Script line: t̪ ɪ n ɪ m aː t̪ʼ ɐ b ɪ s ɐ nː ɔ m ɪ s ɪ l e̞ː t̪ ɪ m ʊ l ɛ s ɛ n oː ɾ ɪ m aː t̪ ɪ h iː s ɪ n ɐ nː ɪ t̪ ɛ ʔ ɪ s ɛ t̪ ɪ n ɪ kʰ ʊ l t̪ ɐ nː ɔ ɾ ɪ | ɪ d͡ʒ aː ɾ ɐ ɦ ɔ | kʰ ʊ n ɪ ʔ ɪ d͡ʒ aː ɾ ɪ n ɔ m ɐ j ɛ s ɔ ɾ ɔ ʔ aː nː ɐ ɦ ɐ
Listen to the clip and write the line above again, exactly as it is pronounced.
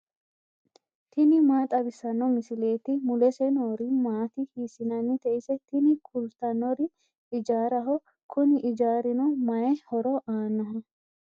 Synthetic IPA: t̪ ɪ n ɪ m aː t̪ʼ ɐ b ɪ s ɐ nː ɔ m ɪ s ɪ l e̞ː t̪ ɪ m ʊ l ɛ s ɛ n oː ɾ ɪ m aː t̪ ɪ h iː s ɪ n ɐ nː ɪ t̪ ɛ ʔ ɪ s ɛ t̪ ɪ n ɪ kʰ ʊ l t̪ ɐ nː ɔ ɾ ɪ | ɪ d͡ʒ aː ɾ ɐ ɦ ɔ | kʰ ʊ n ɪ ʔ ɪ d͡ʒ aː ɾ ɪ n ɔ m ɐ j ɛ h ɔ ɾ ɔ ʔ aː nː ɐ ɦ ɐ